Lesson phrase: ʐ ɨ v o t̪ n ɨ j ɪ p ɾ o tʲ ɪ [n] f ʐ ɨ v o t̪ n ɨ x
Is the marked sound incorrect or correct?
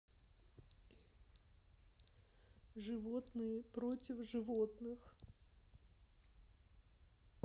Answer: incorrect